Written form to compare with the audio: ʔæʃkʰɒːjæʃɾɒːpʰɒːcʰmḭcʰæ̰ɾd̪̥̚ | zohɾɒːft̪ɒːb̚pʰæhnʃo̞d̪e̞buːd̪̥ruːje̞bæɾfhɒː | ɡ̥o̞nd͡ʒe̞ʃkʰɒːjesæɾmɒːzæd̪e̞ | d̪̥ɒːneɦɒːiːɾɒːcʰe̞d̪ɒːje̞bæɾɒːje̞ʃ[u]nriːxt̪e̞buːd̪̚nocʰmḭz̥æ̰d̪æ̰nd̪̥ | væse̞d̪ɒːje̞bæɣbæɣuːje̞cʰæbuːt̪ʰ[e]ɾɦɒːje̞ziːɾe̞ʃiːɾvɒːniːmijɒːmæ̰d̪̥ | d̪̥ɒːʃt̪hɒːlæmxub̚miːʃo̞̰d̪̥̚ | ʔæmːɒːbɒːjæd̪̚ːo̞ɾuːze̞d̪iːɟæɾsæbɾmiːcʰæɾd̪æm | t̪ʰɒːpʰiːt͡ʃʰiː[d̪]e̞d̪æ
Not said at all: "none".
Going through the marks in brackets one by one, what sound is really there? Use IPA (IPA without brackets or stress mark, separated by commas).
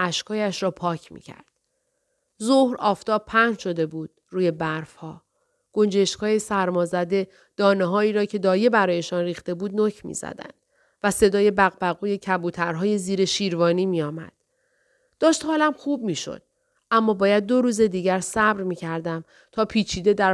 ɒ, æ, d̪